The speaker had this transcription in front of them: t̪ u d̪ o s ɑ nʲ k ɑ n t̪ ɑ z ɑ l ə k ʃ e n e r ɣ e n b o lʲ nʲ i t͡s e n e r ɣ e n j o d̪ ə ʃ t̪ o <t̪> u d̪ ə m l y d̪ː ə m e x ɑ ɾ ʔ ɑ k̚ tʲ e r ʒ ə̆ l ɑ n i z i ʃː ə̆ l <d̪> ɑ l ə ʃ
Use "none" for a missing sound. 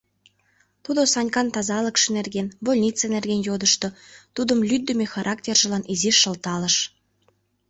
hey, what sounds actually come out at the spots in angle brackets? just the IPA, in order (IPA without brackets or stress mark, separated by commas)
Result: t̪, t̪